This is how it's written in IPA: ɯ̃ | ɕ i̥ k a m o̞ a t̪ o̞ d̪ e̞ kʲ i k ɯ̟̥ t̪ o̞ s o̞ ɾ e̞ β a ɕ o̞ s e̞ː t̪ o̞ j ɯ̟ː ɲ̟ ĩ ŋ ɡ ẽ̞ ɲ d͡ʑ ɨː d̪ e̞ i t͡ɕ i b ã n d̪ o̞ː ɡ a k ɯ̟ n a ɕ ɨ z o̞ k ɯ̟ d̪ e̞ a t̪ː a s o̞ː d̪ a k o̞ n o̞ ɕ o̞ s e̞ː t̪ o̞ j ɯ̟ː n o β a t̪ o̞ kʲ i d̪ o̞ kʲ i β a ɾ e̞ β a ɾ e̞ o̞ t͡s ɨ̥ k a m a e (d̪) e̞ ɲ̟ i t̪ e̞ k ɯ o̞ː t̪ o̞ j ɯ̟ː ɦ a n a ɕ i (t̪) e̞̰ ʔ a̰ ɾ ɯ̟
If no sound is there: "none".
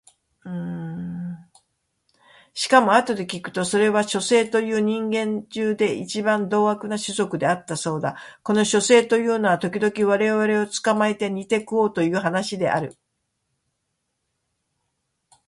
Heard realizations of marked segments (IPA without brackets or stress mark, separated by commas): t̪, d̪